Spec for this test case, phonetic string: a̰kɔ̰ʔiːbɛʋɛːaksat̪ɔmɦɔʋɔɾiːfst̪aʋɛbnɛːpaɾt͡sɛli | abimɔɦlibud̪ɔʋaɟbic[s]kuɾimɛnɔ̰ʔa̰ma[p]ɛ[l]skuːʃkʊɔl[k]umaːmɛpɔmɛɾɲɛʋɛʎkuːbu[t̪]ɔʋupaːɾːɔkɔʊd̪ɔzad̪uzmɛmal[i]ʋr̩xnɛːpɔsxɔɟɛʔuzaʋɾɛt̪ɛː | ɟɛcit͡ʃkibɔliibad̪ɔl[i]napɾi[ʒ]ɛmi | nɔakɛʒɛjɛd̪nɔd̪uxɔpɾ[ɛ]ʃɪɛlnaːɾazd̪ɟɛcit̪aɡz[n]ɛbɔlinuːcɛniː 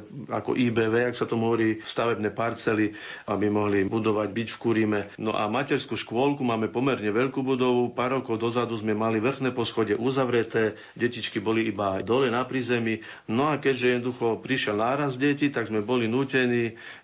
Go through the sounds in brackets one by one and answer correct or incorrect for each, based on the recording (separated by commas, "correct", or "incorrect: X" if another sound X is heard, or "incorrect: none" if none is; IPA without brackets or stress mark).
incorrect: f, incorrect: c, incorrect: ɾ, correct, incorrect: d̪, correct, incorrect: ɛ, incorrect: z, incorrect: i, incorrect: m